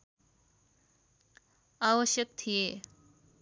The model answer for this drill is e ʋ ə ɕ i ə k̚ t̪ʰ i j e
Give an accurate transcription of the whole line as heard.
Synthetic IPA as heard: a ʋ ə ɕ j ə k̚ t̪ʰ i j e